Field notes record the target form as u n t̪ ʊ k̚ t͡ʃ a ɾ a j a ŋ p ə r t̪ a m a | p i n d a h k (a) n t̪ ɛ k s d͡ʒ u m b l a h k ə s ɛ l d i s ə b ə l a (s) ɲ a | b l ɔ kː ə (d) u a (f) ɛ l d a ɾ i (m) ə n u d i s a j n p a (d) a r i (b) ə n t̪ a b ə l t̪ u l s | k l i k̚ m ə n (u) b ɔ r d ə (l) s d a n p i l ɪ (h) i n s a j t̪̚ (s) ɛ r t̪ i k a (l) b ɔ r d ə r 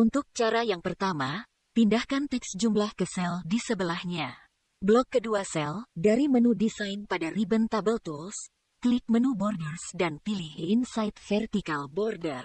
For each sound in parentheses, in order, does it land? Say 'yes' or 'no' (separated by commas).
yes, no, yes, no, yes, yes, yes, yes, no, yes, no, yes